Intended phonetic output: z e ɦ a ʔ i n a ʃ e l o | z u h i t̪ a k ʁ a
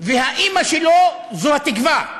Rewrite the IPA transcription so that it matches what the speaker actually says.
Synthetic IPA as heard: v e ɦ a ʔ i m a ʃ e l o | z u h a t̪ i k v a